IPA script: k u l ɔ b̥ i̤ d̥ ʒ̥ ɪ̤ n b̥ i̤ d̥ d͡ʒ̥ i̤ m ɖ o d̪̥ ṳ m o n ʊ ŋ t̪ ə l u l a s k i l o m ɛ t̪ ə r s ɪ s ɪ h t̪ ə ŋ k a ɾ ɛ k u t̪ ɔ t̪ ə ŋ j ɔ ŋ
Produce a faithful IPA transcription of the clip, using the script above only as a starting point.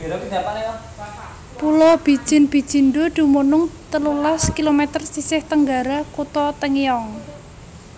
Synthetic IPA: p u l ɔ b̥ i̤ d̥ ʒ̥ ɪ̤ n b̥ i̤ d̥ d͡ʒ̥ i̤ n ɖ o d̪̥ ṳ m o n ʊ ŋ t̪ ə l u l a s k i l o m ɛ t̪ ə r s i s ɪ h t̪ ə ŋ ɡ a ɾ a k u t̪ ɔ t̪ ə ŋ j ɔ ŋ